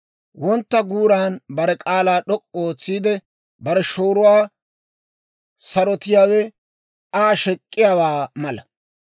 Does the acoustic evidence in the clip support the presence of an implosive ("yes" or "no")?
yes